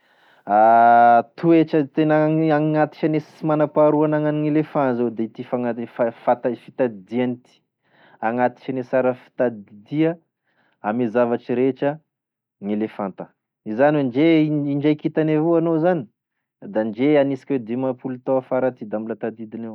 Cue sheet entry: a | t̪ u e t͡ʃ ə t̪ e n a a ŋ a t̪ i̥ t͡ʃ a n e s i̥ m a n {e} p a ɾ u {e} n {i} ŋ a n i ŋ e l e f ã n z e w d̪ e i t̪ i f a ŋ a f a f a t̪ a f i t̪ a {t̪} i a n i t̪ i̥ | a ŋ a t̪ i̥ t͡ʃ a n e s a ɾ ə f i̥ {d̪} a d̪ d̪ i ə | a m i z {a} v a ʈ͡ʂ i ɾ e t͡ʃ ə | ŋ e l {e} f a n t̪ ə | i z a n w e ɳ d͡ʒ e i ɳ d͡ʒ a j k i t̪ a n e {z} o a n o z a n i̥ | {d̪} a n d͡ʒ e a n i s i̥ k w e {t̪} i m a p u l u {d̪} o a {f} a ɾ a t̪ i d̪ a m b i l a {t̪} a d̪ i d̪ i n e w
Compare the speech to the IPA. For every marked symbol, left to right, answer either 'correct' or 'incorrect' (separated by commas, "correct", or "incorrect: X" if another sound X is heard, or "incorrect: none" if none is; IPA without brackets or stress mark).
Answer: incorrect: a, incorrect: a, incorrect: a, incorrect: d̪, incorrect: t̪, correct, correct, incorrect: v, correct, incorrect: d̪, incorrect: t̪, correct, correct